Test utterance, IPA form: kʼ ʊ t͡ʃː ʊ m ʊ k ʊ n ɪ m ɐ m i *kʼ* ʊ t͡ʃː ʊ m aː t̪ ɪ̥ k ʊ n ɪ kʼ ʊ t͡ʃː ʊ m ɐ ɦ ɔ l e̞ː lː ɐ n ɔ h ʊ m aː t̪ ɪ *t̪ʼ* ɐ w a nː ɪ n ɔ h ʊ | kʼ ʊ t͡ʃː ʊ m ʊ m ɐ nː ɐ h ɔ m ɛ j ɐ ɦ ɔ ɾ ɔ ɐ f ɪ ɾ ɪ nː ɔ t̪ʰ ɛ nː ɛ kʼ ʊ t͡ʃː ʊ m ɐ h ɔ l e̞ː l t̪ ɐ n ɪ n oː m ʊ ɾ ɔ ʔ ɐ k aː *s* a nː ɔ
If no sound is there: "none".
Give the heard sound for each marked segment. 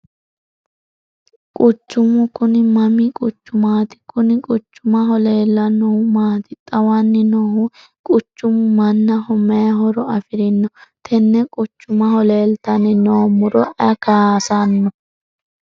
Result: kʼ, t̪ʼ, s

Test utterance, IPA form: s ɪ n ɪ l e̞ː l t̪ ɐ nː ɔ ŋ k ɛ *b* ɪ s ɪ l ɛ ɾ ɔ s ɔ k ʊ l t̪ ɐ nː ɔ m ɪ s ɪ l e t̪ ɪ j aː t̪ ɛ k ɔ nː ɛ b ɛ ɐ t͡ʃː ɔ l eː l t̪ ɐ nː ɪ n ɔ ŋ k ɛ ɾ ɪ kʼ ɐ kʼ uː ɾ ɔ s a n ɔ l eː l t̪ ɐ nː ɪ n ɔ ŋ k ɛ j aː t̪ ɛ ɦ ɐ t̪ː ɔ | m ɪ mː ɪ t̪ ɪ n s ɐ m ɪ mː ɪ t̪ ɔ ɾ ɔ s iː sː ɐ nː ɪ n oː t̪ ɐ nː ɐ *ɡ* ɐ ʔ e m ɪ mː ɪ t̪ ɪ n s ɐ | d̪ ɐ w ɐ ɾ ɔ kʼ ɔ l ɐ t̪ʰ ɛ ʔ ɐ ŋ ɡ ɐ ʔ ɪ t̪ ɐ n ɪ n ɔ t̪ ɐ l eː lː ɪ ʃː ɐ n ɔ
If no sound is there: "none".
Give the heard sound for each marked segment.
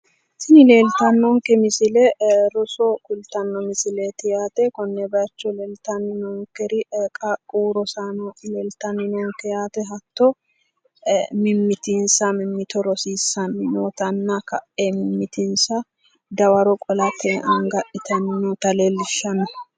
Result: m, k

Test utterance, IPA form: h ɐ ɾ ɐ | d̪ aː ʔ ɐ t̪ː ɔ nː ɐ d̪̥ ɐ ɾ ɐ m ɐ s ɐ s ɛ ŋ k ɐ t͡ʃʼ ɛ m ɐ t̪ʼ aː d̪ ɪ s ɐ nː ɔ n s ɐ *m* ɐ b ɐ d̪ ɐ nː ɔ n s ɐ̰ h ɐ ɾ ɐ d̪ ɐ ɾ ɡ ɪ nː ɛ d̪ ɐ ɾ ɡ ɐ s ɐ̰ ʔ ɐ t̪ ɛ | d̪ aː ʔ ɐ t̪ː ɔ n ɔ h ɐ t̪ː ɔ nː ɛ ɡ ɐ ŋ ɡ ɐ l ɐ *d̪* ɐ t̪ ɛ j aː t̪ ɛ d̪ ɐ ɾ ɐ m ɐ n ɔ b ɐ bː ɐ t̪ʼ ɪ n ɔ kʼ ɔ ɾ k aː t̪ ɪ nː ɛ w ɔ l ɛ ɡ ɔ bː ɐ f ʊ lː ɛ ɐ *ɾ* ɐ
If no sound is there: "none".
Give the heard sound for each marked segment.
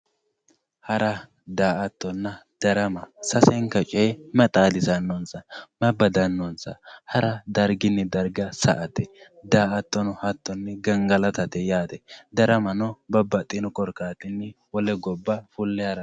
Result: m, t̪, ɾ

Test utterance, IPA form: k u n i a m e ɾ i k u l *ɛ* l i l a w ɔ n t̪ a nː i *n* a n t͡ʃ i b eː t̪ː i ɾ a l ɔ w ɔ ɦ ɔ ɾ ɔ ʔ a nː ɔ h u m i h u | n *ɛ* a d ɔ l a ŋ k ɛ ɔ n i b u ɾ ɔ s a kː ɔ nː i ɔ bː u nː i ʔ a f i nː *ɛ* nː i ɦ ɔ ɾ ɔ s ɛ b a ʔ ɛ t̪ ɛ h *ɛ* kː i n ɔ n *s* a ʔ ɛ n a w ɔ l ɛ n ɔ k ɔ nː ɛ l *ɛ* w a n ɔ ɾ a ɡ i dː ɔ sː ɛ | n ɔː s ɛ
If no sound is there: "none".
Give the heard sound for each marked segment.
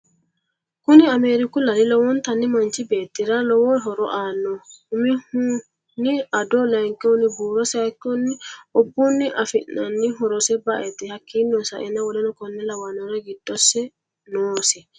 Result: a, m, i, a, a, s, a

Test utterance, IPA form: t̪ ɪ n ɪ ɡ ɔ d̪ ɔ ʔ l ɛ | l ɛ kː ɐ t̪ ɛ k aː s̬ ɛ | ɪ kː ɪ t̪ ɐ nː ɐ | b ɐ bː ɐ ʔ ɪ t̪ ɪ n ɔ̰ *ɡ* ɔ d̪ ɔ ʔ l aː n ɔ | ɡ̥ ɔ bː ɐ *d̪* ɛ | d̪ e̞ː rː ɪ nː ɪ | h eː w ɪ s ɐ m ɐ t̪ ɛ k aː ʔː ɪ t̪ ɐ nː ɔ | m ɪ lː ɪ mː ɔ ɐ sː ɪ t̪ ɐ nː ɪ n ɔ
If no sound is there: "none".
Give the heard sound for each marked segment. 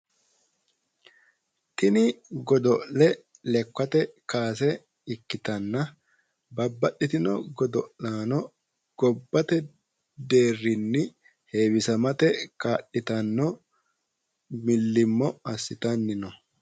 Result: ɡ, t̪

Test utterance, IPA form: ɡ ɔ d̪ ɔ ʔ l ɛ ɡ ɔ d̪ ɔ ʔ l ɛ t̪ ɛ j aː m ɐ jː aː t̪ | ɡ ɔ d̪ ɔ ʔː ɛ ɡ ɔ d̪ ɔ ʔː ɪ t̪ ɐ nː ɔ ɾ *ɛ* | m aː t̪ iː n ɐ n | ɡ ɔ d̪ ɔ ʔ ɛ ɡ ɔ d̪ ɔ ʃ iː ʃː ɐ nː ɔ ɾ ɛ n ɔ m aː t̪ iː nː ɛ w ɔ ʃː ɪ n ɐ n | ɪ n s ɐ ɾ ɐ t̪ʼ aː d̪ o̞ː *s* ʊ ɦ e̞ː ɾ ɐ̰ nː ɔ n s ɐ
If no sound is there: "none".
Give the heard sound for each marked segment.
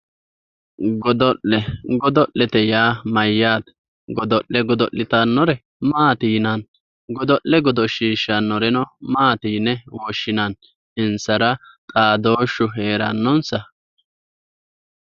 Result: ɛ, ʃ

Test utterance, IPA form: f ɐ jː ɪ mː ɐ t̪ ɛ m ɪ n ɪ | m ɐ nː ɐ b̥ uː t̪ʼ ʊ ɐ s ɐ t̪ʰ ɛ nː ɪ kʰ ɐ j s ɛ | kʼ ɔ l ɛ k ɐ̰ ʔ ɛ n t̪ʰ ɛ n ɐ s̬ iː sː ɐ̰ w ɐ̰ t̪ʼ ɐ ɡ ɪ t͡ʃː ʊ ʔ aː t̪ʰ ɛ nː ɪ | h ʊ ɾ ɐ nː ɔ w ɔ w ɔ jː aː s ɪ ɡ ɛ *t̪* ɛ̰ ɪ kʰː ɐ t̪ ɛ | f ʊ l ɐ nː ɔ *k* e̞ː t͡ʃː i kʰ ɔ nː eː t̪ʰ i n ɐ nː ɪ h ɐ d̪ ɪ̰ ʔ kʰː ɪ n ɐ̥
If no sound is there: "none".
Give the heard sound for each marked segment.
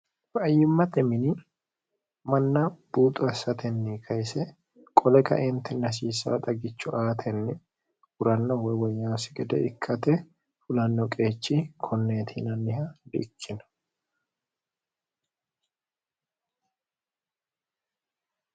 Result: d̪, kʼ

